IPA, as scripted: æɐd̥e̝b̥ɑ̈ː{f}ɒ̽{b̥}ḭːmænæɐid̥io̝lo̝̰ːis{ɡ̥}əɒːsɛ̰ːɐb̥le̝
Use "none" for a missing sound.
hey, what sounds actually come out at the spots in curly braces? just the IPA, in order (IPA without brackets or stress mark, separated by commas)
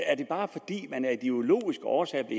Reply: f, d̥, ɡ̥